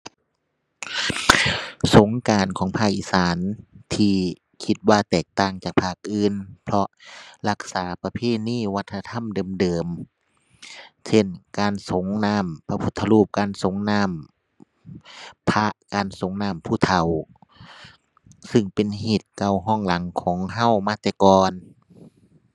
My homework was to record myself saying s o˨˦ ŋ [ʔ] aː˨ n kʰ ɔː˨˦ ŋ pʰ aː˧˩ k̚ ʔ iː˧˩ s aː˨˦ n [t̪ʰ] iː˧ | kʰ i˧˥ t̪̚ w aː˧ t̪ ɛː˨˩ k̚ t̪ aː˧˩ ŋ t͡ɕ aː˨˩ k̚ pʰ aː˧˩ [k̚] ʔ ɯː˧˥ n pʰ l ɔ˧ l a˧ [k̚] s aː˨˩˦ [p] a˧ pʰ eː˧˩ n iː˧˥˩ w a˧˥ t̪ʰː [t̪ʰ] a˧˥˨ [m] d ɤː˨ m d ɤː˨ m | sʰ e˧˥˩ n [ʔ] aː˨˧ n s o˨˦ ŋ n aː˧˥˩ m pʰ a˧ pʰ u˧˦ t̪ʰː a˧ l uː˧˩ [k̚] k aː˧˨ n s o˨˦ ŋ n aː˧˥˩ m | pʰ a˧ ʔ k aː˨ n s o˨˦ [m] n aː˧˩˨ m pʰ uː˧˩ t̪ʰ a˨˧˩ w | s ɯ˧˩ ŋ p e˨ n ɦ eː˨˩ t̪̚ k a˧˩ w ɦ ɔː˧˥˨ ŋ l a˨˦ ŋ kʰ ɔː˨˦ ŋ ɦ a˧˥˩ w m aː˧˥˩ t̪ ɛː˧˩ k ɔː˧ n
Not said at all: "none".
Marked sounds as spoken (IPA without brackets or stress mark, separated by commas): k, t̪ʰ, k̚, k̚, p, t̪ʰ, m, k, p̚, ŋ